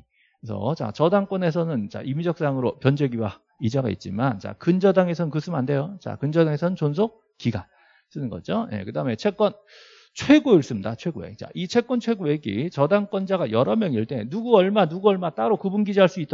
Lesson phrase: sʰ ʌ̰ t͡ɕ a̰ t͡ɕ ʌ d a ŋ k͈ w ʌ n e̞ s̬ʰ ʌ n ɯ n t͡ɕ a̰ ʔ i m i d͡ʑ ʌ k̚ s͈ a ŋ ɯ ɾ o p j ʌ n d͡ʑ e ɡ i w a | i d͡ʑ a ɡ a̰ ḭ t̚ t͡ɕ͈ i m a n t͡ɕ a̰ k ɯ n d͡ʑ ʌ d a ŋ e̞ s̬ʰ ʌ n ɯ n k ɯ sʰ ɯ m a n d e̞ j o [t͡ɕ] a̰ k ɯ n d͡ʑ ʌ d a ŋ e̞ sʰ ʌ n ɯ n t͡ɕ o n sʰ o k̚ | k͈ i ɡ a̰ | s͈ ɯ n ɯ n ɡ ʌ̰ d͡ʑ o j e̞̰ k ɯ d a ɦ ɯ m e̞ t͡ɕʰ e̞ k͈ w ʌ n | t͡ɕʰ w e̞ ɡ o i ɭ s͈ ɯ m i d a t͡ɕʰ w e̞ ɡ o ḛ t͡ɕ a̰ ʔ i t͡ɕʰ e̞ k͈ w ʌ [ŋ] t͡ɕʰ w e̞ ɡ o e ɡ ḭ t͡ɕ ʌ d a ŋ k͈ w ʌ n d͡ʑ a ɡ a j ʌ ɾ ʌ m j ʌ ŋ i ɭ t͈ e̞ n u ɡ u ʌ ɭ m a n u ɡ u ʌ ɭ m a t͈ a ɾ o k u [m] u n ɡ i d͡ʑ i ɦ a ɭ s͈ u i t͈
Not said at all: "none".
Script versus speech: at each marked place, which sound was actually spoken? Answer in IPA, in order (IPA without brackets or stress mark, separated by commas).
t͡ɕ, n, b